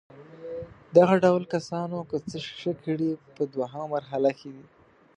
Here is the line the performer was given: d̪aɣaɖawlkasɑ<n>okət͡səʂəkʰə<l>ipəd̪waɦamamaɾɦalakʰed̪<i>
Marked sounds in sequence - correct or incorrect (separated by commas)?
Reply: correct, incorrect, correct